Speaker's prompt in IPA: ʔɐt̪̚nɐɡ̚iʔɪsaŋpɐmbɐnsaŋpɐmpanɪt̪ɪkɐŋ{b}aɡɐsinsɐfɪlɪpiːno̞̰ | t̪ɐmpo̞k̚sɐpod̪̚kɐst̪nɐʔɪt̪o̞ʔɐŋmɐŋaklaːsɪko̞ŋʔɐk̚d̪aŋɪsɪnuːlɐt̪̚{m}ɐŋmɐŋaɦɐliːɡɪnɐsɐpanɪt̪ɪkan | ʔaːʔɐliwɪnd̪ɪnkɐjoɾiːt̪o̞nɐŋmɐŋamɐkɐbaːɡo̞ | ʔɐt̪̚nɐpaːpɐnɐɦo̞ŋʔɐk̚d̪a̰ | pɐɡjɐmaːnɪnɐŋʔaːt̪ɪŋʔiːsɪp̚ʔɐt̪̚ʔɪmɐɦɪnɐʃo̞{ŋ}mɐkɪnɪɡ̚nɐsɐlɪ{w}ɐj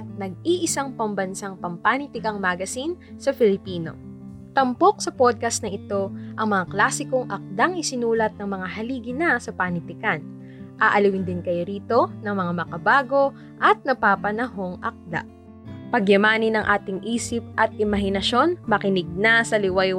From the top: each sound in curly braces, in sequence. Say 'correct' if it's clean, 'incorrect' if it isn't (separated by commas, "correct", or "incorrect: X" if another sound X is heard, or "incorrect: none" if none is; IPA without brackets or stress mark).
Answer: incorrect: m, incorrect: n, incorrect: n, correct